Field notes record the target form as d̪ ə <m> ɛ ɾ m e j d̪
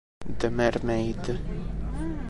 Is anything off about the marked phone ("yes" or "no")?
no